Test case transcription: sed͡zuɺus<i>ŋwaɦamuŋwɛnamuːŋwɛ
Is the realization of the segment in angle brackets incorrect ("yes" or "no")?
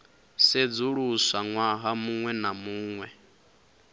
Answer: yes